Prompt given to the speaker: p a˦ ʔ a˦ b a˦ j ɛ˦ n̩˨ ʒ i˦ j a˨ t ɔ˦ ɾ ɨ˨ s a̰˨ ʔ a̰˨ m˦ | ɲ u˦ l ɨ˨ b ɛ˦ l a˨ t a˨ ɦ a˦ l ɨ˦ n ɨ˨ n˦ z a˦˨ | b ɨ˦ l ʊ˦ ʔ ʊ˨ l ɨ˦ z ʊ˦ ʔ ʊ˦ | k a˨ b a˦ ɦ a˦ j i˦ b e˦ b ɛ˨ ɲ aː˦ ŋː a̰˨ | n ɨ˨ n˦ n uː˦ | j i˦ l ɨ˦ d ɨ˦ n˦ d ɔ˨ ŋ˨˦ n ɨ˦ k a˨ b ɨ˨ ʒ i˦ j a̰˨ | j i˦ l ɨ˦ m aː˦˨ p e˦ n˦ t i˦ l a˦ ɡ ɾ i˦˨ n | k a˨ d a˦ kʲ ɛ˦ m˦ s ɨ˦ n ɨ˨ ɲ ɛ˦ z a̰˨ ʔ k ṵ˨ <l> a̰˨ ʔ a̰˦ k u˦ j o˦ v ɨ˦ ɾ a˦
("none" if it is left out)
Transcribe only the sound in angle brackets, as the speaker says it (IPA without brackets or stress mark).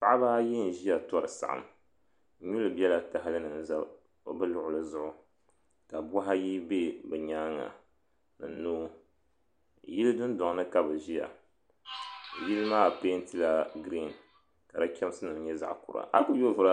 ɾ